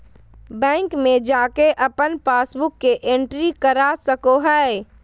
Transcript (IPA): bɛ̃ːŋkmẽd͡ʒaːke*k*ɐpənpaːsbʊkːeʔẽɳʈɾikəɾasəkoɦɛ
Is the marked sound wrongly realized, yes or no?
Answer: yes